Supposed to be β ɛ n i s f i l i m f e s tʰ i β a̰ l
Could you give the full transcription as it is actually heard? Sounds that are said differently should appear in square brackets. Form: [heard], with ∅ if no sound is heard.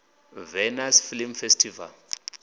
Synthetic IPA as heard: [v] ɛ n [a] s f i l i m f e s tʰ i [v] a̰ l